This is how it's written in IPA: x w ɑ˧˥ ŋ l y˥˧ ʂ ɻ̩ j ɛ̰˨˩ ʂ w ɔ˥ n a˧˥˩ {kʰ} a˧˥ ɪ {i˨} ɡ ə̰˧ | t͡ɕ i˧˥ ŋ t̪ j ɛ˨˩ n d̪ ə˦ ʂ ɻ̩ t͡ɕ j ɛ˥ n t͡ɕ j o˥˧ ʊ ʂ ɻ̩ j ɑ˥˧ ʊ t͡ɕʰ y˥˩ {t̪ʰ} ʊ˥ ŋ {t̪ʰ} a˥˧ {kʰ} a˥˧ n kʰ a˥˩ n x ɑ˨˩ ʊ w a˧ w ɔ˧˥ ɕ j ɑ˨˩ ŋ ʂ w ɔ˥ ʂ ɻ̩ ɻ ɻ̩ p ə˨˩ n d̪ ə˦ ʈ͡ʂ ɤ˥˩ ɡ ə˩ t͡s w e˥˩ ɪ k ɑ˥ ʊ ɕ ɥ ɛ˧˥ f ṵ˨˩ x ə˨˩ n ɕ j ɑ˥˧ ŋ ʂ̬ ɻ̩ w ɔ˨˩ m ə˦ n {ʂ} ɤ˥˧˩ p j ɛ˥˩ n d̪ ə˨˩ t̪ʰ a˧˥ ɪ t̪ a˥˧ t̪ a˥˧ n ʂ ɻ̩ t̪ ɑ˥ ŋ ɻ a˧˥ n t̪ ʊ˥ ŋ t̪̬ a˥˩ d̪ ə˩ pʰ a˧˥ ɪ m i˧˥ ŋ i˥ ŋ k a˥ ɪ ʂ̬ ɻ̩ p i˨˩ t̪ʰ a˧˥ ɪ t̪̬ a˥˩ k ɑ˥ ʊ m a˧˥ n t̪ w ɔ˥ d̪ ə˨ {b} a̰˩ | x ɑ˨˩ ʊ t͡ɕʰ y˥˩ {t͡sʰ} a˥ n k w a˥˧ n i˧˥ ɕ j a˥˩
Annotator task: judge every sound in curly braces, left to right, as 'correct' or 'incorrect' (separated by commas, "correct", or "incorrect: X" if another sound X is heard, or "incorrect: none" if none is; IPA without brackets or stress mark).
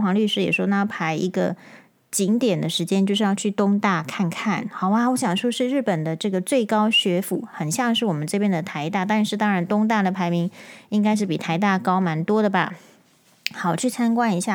incorrect: pʰ, incorrect: i˧˥, incorrect: t̪, incorrect: t̪, correct, incorrect: ʈ͡ʂ, correct, correct